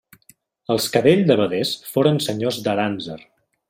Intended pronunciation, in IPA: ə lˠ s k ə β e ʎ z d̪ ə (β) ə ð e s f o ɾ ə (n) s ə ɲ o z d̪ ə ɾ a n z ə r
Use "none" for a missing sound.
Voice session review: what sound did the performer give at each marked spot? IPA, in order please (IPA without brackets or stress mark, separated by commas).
β, n